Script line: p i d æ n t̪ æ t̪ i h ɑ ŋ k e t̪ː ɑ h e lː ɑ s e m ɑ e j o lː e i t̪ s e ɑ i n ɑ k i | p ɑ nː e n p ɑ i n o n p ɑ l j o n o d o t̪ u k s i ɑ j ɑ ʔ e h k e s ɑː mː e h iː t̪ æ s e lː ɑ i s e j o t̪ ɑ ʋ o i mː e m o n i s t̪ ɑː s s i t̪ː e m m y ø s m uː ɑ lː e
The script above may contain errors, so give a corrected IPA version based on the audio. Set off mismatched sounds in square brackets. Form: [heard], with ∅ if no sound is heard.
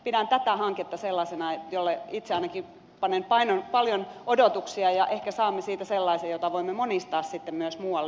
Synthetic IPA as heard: p i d æ n t̪ æ t̪ [æ] h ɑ ŋ k e t̪ː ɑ [s] e lː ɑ s e [n] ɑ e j o lː e i t̪ s e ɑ i n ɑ k i | p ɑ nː e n p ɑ i n o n p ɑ l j o n o d o t̪ u k s i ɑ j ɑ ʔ e h k [æ] s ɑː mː e [s] iː t̪ æ s e lː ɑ i s e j o t̪ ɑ ʋ o i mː e m o n i s t̪ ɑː s s i t̪ː e m m y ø s m uː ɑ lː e

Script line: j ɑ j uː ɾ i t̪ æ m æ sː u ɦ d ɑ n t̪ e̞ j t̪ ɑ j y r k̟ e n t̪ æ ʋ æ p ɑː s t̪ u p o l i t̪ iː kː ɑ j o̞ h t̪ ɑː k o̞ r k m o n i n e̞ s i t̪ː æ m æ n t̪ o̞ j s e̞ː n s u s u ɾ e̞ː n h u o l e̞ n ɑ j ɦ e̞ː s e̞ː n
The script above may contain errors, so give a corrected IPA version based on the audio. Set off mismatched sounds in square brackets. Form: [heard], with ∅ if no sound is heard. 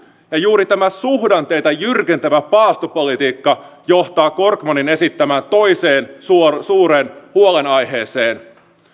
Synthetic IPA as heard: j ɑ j uː ɾ i t̪ æ m æ [s] u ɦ d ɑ n t̪ e̞ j t̪ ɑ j y r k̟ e n t̪ æ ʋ æ p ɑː s t̪ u p o l i t̪ iː kː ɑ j o̞ h t̪ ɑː k o̞ r k m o n i n e̞ s i t̪ː æ m æ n t̪ o̞ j s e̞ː n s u s [uː] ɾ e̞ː n h u o l e̞ n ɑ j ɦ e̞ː s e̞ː n

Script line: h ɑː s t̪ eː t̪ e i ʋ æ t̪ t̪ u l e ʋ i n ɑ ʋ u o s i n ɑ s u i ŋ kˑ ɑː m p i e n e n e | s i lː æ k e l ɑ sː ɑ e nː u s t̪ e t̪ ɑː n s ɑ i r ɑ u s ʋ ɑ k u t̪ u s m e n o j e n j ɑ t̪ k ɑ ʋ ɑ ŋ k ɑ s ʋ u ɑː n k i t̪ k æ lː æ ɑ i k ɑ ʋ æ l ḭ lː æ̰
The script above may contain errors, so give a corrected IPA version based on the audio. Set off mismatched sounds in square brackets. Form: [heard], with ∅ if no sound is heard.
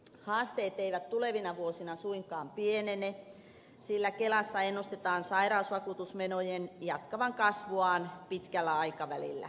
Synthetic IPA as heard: h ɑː s t̪ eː t̪ e i ʋ æ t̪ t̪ u l e ʋ i n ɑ ʋ u o s i n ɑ s u i ŋ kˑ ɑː m p i e n e n e | s i lː æ k e l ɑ sː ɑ e nː u s t̪ e t̪ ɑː n s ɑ i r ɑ u s ʋ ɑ k u t̪ u s m e n o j e n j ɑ t̪ k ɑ ʋ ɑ ŋ k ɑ s ʋ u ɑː n [p] i t̪ k æ lː æ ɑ i k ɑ ʋ æ l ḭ lː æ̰

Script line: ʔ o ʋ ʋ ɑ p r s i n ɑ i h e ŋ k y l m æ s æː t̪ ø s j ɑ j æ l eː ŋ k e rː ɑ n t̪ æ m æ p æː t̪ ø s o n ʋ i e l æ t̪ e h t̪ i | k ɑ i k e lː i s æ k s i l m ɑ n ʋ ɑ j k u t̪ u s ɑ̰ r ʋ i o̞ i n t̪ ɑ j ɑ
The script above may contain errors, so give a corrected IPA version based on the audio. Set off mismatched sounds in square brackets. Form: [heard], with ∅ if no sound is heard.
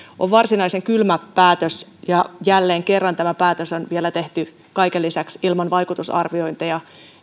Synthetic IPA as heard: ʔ o ʋ ʋ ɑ [∅] r s i n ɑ i [s] e ŋ k y l m æ [∅] æː t̪ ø s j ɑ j æ [lː] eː ŋ k e rː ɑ n t̪ æ m æ p æː t̪ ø s o n ʋ i e l æ t̪ e h t̪ [y] | k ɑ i k e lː i s æ k s i l m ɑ n ʋ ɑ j k u t̪ u s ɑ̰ r ʋ i o̞ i n t̪ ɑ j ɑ

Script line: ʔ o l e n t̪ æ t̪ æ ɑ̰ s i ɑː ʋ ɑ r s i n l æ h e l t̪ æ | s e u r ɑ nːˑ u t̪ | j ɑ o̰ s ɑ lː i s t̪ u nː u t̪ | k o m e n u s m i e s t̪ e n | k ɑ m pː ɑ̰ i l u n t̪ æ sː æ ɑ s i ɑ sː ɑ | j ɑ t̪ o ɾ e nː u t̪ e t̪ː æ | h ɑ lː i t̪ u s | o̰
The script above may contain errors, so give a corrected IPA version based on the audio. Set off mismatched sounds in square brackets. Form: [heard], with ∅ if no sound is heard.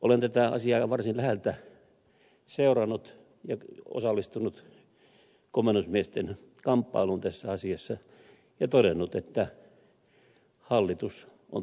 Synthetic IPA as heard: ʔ o l e n t̪ æ t̪ æ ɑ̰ s i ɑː ʋ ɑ r s i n l æ h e l t̪ æ | s e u r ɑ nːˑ u t̪ | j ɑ o̰ s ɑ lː i s t̪ u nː u t̪ | k o m e n u s m i e s t̪ e n | k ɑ m pː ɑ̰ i l u n t̪ æ sː æ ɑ s i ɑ sː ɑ | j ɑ t̪ o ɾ e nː u t̪ e t̪ː æ | h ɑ lː i t̪ u s | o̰

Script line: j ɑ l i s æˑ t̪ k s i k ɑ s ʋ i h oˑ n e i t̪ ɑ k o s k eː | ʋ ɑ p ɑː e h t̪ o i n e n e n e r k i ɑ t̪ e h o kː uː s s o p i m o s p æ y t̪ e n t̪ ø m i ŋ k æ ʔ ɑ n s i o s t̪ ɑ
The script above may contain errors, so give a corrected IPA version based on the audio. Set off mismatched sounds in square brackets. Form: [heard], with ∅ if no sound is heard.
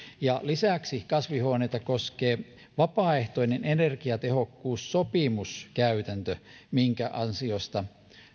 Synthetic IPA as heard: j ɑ l i s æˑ [∅] k s i k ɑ s ʋ i h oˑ n e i t̪ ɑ k o s k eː | ʋ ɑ p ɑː e h t̪ o i n e n e n e r k i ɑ t̪ e h o kː uː s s o p i m [u] s [k] æ y t̪ [æ] n t̪ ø m i ŋ k æ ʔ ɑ n s i o s t̪ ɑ

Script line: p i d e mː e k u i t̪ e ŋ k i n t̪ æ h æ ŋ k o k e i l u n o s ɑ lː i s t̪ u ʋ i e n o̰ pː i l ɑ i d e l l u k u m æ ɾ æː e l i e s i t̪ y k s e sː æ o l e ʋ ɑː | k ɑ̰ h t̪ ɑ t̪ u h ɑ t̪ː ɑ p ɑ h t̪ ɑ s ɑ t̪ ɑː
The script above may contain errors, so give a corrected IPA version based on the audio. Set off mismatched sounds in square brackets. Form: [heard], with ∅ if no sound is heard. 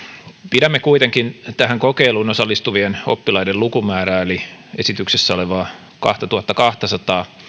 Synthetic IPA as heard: p i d [æ] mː e k u i t̪ e ŋ k i n t̪ æ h æ ŋ k o k e i l u n o s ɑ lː i s t̪ u ʋ i e n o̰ pː i l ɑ i d e l l u k u m [æː] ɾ æː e l i e s i t̪ y k s e sː æ o l e ʋ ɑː | k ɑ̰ h t̪ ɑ t̪ u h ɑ t̪ː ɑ [k] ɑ h t̪ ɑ s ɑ t̪ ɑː

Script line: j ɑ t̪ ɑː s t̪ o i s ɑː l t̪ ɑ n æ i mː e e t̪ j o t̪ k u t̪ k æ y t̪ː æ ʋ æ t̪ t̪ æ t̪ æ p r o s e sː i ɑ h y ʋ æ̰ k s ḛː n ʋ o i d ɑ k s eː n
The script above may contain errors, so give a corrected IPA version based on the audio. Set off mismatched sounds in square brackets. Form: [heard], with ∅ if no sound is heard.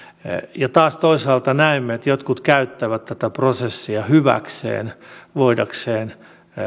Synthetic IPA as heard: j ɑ t̪ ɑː s t̪ o i s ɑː l t̪ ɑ n æ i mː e e t̪ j o t̪ k u t̪ k æ y t̪ː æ ʋ æ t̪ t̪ æ t̪ æ p r o s e sː i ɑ h y ʋ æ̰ k s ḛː n ʋ o i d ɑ k s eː n

